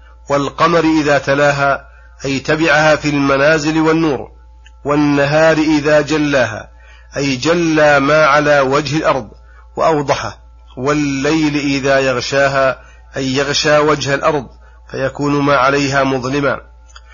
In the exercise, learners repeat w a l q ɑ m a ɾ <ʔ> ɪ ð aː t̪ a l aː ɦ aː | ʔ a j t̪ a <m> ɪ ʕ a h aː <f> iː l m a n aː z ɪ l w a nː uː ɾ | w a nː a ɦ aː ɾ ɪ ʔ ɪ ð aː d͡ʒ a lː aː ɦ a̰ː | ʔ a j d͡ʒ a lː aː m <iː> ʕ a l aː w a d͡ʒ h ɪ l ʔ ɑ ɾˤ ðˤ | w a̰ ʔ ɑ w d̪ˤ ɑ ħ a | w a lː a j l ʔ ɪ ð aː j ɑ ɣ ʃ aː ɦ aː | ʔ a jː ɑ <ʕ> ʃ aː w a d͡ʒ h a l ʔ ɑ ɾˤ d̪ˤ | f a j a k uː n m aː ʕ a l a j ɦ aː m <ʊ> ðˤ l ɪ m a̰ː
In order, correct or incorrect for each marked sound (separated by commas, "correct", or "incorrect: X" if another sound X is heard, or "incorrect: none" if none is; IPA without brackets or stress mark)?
correct, incorrect: b, correct, incorrect: aː, incorrect: ɣ, correct